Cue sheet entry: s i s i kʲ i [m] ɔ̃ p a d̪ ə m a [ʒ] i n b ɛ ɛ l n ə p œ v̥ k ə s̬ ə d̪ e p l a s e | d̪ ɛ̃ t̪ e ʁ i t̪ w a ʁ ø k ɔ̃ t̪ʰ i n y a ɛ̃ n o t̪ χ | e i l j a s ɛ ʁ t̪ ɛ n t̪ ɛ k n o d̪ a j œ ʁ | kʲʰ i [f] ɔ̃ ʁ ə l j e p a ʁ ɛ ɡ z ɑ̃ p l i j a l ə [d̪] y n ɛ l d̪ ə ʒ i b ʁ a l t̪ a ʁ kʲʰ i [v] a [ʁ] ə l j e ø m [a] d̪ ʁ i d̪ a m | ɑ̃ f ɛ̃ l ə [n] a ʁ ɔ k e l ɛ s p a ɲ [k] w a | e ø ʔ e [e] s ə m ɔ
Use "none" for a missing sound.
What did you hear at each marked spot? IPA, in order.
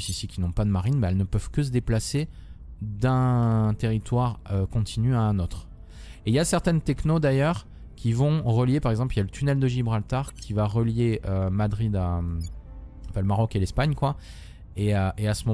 n, ʁ, v, t̪, v, ʁ, a, m, k, a

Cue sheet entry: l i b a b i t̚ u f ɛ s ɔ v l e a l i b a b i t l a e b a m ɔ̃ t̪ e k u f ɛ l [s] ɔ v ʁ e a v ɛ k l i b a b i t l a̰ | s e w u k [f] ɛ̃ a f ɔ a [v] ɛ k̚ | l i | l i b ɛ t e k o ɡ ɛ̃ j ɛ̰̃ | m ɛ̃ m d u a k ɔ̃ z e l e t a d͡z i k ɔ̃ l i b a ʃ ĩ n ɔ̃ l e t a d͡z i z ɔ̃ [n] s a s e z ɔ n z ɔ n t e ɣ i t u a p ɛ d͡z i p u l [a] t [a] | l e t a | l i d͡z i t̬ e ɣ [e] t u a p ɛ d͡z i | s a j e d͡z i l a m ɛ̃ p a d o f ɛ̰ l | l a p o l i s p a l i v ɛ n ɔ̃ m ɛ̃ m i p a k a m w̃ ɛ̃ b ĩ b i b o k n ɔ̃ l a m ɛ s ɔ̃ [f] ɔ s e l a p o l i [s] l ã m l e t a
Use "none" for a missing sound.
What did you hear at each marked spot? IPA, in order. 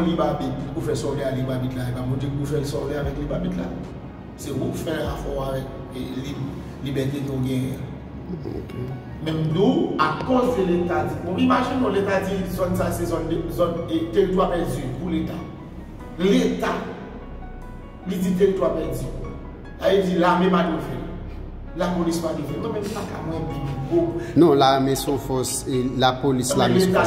s, f, v, n, e, a, i, f, s

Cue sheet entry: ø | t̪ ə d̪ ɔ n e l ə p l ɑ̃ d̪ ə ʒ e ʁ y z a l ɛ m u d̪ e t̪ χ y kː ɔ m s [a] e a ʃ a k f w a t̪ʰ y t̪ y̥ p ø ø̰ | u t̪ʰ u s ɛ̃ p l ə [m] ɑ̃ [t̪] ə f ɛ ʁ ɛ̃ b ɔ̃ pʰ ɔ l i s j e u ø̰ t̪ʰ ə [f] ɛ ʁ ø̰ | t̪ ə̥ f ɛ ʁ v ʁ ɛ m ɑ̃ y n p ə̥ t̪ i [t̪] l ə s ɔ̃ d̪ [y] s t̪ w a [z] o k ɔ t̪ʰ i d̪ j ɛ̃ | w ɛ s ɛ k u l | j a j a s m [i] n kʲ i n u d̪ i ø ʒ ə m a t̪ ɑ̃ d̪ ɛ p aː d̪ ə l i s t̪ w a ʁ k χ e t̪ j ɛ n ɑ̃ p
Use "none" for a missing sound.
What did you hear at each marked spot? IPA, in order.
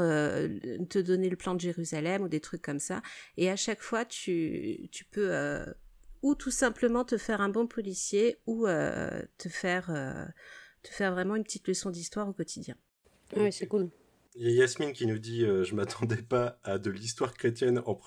a, m, t̪, f, t̪, i, ʁ, i

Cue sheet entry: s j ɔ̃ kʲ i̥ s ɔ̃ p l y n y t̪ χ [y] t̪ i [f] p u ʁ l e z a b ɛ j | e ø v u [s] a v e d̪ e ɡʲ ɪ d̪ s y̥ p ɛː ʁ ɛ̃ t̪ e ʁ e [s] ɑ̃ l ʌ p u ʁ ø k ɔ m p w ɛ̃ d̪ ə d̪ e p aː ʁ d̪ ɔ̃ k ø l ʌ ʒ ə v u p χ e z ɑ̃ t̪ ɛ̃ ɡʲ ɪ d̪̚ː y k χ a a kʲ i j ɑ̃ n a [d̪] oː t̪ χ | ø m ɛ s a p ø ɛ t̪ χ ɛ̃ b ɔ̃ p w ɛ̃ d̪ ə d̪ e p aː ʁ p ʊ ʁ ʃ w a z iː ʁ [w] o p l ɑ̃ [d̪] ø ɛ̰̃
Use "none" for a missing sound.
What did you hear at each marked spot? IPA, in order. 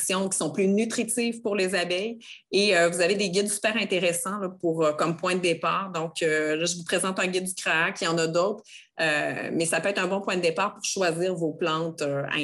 i, v, z, s, d̪, v, t̪

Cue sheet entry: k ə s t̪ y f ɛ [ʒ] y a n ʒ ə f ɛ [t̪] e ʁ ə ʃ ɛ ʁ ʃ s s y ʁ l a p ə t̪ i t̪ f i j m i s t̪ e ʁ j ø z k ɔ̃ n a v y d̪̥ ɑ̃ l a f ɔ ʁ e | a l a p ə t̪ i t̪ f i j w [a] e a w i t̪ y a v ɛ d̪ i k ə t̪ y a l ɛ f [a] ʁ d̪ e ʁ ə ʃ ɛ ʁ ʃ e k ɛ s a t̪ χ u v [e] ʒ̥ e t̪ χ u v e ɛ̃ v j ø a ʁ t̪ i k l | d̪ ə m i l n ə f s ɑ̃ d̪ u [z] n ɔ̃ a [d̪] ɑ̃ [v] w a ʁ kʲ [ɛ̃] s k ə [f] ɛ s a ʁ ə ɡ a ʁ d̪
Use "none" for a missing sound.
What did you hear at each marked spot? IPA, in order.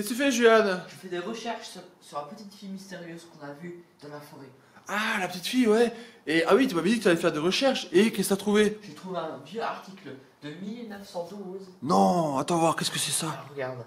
ʒ, d̪, ɛ, ɛ, e, z, t̪, v, ɛ, s

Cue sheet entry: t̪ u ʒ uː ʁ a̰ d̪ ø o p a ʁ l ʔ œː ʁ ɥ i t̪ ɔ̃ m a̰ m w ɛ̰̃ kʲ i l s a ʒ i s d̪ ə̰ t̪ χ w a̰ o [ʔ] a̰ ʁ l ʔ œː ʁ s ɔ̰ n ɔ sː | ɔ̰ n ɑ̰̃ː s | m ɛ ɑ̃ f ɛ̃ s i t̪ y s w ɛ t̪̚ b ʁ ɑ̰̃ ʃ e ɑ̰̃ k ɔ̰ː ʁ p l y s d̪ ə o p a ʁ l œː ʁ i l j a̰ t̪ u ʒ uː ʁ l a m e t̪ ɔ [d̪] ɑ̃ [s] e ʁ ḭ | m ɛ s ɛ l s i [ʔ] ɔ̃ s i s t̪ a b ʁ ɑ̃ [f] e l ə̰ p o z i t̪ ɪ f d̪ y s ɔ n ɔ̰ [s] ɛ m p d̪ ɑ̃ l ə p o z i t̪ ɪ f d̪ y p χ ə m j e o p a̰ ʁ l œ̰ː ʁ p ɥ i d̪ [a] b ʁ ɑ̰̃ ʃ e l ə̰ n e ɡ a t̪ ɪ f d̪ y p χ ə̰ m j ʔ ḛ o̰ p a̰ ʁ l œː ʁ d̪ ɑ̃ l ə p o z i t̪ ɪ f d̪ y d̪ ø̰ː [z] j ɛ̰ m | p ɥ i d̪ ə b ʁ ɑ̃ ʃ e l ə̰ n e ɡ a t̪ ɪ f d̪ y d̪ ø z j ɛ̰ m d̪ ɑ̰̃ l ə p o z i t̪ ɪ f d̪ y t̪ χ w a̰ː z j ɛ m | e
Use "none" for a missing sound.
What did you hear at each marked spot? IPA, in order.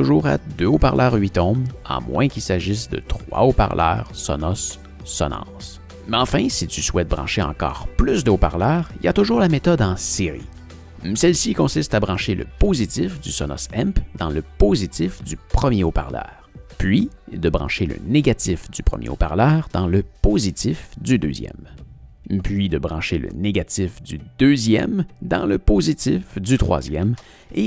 p, d̪, s, k, ʃ, s, ə, z

